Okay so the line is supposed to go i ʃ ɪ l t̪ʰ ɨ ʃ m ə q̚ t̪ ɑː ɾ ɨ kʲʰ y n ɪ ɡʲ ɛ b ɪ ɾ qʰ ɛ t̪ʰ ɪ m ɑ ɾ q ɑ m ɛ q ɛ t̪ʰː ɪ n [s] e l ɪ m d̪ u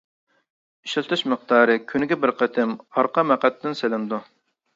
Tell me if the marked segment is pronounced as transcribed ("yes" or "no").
yes